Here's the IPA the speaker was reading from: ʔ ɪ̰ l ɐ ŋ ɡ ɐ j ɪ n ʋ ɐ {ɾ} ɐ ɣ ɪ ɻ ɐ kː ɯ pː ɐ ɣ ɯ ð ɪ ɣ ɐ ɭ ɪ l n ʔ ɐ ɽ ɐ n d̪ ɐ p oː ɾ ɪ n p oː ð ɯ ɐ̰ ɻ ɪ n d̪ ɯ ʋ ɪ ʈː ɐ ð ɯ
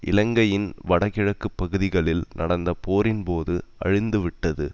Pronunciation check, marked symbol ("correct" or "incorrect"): incorrect